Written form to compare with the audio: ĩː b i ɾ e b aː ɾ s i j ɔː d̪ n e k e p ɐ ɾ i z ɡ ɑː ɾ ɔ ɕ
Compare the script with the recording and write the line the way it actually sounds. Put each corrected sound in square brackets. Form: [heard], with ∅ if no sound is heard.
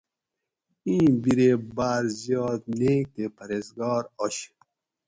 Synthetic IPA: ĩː b i ɾ e b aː ɾ [z] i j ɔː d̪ n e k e p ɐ ɾ [e] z ɡ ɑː ɾ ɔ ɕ